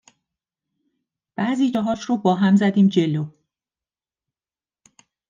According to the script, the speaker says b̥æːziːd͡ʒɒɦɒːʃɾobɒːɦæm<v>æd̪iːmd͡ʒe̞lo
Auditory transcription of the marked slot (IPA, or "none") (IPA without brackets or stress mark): z